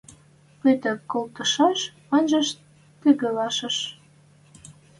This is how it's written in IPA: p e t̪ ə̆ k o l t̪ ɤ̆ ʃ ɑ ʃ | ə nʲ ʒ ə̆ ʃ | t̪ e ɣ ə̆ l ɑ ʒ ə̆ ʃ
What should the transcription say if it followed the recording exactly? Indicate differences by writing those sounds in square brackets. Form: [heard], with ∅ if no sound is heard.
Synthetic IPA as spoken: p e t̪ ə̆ k o l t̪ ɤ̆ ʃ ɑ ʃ | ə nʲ ʒ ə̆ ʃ | t̪ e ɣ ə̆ l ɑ [ʃ] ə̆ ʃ

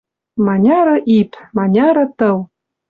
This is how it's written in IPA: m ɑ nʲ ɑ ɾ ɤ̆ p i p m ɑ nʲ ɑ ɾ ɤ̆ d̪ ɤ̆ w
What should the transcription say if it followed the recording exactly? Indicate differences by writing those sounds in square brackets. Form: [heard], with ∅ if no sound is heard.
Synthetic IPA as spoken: m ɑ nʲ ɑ ɾ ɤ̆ [ʔ] i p m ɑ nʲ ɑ ɾ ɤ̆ [t̪] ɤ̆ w

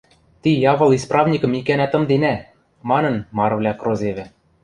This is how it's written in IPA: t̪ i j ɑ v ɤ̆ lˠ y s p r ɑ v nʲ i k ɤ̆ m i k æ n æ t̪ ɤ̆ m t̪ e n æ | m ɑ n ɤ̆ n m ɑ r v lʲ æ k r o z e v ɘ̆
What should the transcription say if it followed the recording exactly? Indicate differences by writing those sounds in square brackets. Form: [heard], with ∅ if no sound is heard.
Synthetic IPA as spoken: t̪ i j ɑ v ɤ̆ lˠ [i] s p r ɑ v nʲ i k ɤ̆ m i k æ n æ t̪ ɤ̆ m [d̪] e n æ | m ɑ n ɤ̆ n m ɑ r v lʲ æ k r o z e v ɘ̆

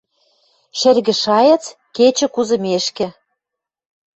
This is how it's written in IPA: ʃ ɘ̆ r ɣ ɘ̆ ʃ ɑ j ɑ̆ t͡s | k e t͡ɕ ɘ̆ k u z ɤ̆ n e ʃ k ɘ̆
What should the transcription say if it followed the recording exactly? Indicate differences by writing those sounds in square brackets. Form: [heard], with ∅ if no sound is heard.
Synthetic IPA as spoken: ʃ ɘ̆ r ɣ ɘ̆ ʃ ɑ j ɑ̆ t͡s | k e t͡ɕ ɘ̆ k u z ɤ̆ [m] e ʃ k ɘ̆

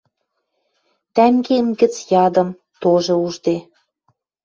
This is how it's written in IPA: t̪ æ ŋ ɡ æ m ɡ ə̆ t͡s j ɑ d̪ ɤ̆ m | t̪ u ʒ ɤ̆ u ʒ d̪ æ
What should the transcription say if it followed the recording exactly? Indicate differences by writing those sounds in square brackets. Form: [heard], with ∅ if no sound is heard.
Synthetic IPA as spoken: t̪ æ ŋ ɡ [e] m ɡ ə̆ t͡s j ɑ d̪ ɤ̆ m | t̪ [o] ʒ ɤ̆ u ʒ d̪ [e]

